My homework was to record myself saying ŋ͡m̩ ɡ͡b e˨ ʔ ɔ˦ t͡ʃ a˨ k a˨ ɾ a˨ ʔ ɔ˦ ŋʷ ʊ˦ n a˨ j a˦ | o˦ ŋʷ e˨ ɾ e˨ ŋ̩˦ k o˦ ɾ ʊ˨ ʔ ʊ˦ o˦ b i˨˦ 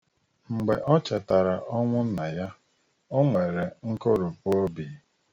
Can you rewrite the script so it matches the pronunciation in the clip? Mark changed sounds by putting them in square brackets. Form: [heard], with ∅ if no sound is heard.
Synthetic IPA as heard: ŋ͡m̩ ɡ͡b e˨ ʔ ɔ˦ t͡ʃ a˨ [t] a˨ ɾ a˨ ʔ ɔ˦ ŋʷ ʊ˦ n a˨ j a˦ | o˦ ŋʷ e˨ ɾ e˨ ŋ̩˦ k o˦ ɾ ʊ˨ [p] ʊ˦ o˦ b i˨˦